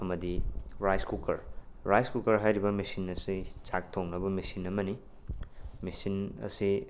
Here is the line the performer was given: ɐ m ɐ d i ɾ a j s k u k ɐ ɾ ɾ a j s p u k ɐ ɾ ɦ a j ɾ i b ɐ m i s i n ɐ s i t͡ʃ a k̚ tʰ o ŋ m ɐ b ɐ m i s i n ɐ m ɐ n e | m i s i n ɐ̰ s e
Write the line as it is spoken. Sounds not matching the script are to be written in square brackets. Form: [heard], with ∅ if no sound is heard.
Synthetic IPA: ɐ m ɐ d i ɾ a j s k u k ɐ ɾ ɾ a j s [k] u k ɐ ɾ ɦ a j ɾ i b ɐ m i s i n ɐ s i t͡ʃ a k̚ tʰ o ŋ [n] ɐ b ɐ m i s i n ɐ m ɐ n [i] | m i s i n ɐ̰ s [i]